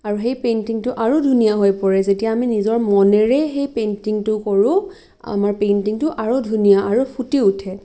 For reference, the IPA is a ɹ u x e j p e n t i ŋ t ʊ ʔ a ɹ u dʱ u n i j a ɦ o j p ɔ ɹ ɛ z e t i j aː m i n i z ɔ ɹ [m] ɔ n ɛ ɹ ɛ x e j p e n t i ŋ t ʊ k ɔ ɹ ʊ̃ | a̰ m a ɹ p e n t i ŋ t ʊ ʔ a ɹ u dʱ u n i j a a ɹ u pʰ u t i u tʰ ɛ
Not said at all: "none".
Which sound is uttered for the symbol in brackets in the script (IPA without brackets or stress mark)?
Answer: m